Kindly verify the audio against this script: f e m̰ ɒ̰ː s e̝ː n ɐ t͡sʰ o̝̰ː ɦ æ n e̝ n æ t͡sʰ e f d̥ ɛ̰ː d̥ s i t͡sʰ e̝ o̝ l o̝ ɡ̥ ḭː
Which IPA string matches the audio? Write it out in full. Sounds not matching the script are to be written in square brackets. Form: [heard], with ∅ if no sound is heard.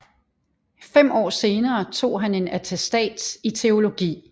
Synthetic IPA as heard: f e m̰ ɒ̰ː s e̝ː n [ɐː] t͡sʰ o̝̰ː ɦ æ n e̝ n æ t͡sʰ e [s] d̥ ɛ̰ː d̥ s i t͡sʰ e̝ o̝ l o̝ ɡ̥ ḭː